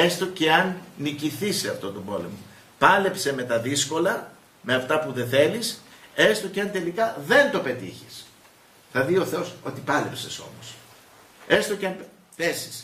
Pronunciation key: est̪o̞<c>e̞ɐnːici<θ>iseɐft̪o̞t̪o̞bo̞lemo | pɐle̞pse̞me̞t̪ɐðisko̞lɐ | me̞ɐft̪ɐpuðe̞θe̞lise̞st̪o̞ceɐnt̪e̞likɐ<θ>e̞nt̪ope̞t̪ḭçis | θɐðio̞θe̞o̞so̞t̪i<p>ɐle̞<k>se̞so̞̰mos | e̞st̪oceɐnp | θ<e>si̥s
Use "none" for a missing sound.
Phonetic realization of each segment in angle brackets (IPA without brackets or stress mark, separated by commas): c, θ, ð, p, p, e